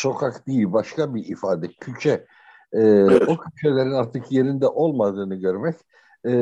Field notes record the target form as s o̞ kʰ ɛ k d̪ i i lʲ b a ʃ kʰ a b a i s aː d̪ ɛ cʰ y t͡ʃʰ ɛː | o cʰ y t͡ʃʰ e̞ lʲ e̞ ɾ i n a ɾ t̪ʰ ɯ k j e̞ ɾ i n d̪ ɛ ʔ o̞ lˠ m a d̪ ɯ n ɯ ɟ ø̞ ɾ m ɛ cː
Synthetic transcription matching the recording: s o̞ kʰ a k d̪ i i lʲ b a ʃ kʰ a b i i f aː d̪ ɛ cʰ y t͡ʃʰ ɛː | o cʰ y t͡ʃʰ e̞ lʲ e̞ ɾ i n a ɾ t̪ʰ ɯ k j e̞ ɾ i n d̪ ɛ ʔ o̞ lˠ m a d̪ ɯː n ɯ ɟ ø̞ ɾ m ɛ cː